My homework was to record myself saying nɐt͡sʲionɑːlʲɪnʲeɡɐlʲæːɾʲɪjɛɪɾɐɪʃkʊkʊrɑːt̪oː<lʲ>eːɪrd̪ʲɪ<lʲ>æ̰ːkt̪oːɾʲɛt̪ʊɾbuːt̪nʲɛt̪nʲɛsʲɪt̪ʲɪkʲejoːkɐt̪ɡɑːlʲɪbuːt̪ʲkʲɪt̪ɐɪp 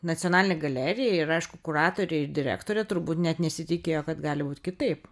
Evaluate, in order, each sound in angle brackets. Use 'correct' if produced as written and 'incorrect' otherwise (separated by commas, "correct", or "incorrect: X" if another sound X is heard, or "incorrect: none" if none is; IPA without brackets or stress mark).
incorrect: ɾʲ, incorrect: ɾʲ